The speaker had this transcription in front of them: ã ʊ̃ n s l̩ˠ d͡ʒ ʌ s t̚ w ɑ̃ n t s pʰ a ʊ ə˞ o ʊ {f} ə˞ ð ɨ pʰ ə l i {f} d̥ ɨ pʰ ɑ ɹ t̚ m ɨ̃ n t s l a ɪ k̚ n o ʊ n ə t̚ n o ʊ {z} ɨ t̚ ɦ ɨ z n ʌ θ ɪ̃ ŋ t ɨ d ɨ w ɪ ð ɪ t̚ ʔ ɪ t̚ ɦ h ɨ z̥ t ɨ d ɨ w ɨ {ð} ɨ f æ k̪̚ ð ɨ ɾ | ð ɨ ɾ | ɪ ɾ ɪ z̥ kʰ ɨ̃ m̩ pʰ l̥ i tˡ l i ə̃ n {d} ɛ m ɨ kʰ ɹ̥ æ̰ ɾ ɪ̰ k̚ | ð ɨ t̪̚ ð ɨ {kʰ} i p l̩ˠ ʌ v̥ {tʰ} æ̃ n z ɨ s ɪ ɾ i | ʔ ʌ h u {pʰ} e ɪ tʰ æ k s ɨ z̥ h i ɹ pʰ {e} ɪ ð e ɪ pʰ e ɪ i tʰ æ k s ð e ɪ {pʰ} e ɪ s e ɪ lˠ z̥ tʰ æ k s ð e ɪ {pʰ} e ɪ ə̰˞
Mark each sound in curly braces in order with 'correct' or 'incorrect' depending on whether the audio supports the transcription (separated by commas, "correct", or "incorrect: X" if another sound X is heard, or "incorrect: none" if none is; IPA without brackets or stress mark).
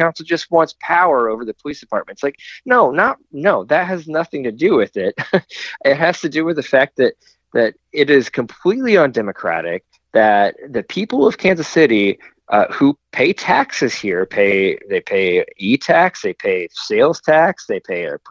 incorrect: v, incorrect: s, incorrect: ð, correct, correct, incorrect: pʰ, incorrect: kʰ, correct, correct, correct, correct